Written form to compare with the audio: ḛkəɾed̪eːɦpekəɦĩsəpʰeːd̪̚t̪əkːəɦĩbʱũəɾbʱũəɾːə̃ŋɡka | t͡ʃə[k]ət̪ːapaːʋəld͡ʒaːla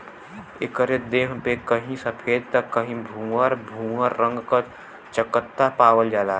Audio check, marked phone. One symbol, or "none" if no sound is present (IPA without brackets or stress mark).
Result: k